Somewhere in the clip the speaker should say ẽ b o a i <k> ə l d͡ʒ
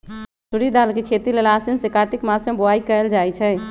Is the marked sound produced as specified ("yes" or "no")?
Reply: yes